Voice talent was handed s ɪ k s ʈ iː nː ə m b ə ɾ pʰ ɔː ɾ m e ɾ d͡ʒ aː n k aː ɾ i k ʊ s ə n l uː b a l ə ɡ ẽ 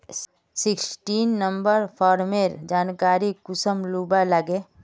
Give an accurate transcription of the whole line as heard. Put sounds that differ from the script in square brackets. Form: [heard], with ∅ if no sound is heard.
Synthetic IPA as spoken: s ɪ k s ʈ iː nː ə m b ə ɾ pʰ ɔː ɾ m e ɾ d͡ʒ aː n k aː ɾ i k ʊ s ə [m] l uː b a l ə ɡ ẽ